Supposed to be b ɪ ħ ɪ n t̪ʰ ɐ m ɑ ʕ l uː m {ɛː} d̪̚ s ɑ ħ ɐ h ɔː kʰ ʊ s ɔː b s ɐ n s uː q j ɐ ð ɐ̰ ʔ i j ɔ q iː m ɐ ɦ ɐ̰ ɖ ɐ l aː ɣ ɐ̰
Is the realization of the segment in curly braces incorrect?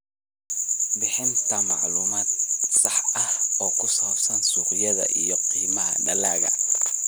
yes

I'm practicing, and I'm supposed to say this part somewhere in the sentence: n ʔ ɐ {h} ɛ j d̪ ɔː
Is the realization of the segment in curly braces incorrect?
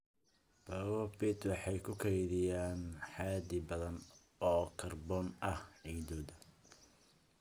no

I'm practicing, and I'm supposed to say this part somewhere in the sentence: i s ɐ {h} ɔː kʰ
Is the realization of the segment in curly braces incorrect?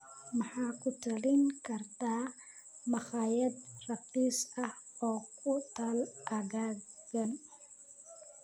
no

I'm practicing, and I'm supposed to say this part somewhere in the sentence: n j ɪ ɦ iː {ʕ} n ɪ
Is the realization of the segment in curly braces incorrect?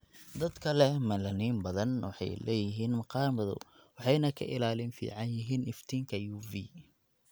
yes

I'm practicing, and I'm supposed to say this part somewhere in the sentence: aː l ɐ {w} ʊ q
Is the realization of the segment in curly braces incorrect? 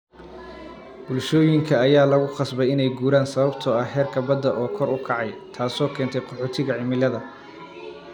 yes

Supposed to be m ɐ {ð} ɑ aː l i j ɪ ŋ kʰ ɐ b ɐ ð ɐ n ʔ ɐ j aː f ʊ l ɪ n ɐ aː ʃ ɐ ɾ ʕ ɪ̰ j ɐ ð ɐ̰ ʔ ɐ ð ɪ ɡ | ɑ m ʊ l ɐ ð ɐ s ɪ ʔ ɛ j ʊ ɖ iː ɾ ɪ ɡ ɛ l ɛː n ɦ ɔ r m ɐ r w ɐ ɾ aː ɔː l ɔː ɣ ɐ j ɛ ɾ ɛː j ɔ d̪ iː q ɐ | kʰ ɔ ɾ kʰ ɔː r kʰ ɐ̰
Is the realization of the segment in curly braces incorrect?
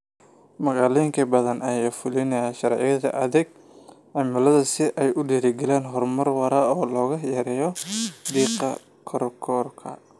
yes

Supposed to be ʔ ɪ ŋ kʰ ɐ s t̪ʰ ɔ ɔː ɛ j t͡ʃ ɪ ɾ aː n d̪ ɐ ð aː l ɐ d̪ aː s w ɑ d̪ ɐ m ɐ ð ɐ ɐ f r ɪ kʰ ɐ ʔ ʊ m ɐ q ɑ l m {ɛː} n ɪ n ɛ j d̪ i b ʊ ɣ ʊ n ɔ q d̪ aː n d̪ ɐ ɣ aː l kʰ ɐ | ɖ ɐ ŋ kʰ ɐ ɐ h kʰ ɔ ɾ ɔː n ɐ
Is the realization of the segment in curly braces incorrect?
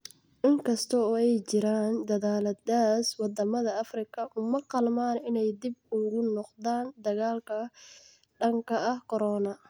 yes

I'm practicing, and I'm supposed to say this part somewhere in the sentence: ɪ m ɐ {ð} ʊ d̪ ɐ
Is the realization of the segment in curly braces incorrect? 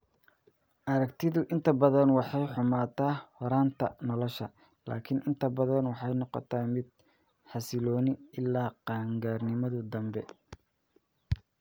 no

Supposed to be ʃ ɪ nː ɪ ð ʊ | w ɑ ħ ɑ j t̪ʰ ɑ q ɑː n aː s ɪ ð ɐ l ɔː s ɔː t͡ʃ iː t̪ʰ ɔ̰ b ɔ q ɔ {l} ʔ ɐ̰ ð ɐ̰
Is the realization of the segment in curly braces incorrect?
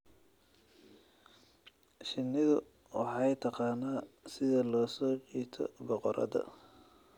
yes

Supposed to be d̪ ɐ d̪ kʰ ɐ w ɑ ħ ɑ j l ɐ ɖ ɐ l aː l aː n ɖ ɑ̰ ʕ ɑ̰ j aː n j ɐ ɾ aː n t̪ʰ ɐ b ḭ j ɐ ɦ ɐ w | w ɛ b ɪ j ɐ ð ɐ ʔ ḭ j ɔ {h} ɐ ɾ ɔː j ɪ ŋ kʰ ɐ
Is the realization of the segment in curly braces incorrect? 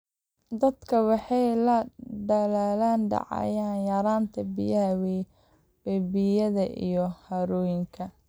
no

